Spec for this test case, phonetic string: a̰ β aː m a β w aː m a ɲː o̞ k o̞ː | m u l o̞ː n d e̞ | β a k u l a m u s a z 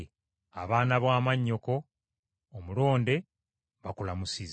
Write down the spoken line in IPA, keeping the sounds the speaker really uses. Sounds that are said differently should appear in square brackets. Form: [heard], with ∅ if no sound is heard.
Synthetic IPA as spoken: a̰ β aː [n] a β w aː m a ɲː o̞ k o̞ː | m u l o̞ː n d e̞ | β a k u l a m u s [i] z